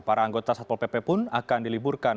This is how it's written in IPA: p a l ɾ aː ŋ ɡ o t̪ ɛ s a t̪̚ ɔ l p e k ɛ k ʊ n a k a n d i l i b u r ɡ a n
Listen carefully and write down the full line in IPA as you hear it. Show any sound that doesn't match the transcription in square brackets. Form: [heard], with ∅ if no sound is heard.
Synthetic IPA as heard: p a [∅] ɾ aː ŋ ɡ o t̪ [a] s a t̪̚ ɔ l p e [p] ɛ [p] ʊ n a k a n d i l i b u r [k] a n